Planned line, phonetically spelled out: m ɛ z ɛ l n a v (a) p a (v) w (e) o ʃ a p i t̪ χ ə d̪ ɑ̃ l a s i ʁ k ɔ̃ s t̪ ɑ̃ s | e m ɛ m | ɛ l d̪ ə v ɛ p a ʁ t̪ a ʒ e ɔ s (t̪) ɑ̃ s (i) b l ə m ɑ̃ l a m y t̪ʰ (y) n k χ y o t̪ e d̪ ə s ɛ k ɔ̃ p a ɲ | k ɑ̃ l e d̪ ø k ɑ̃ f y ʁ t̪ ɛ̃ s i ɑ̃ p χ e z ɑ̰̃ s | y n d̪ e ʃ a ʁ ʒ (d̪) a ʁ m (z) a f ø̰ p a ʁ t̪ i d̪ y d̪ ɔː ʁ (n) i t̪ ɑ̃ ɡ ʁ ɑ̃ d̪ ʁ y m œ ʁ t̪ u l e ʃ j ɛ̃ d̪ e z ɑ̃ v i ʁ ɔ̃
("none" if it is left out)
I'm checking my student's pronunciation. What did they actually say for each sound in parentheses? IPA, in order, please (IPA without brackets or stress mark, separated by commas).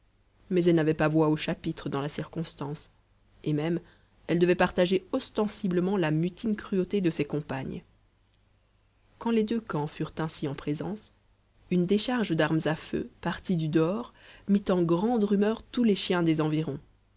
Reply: ɛ, v, a, t̪, i, i, d̪, z, m